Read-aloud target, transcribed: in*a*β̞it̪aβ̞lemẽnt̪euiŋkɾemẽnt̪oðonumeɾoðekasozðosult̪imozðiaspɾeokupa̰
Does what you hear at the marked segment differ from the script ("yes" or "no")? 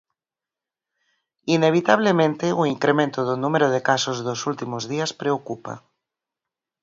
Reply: yes